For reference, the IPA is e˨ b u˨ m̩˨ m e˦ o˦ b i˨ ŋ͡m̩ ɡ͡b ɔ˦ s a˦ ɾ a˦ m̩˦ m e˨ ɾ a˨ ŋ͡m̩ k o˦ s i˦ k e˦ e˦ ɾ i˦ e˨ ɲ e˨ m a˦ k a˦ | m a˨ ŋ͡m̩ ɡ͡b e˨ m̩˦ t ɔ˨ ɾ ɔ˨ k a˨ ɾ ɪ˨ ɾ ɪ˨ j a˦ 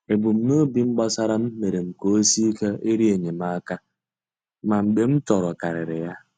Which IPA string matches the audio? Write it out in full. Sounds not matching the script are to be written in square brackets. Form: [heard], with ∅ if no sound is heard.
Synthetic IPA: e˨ b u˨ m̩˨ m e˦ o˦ b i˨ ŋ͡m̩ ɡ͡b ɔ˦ s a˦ ɾ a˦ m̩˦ m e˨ ɾ [e˨] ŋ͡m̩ k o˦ s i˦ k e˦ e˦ ɾ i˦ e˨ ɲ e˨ m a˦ k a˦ | m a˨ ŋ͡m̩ ɡ͡b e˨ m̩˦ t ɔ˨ ɾ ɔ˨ k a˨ ɾ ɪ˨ ɾ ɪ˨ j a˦